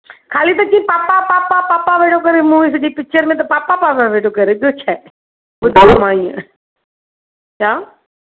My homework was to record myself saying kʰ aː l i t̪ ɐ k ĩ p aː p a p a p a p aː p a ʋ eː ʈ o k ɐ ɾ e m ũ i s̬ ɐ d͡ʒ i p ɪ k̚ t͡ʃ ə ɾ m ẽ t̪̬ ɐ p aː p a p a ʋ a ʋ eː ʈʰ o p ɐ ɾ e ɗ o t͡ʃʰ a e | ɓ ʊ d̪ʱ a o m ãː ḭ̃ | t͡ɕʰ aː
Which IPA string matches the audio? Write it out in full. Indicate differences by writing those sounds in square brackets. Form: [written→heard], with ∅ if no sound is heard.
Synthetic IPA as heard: kʰ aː l i t̪ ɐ k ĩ p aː p a p a p a p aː p a ʋ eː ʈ o k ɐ ɾ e m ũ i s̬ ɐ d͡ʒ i p ɪ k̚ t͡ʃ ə ɾ m ẽ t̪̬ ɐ p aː p a p a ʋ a ʋ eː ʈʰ o [p→k] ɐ ɾ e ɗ o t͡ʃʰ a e | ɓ ʊ d̪ʱ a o m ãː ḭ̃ | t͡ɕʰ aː